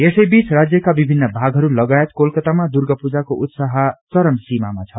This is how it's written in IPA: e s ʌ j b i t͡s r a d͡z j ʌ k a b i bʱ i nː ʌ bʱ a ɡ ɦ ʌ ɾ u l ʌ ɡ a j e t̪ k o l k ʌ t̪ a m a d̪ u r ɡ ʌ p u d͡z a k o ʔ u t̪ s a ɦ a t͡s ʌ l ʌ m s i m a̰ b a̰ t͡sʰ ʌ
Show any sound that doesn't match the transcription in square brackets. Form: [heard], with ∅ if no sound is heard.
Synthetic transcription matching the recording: e s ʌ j b i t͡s r a d͡z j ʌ k a b i bʱ i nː ʌ bʱ a ɡ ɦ ʌ ɾ u l ʌ ɡ a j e t̪ k o l k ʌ t̪ a m a d̪ u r ɡ ʌ p u d͡z a k o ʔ u t̪ s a ɦ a t͡s ʌ [ɾ] ʌ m s i m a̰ [m] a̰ t͡sʰ ʌ